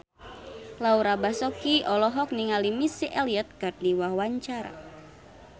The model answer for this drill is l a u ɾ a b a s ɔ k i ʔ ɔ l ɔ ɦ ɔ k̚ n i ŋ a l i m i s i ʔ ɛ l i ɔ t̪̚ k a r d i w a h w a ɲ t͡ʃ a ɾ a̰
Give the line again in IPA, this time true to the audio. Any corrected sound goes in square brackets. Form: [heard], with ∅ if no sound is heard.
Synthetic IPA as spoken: l a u ɾ a b a s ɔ k i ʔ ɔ l ɔ ɦ ɔ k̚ n i ŋ a l i m i s i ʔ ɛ l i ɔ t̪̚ k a r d i w a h w a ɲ t͡ʃ a ɾ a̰